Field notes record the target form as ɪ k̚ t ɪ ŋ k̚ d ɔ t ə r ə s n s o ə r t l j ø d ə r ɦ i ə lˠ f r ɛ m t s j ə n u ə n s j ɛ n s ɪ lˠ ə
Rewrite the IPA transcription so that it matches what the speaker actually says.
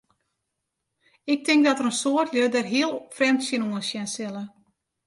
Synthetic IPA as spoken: ɪ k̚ t ɪ ŋ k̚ d ɔ t ə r ə n s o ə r t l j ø d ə r ɦ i ə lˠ f r ɛ m t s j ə n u ə n s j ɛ n s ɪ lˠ ə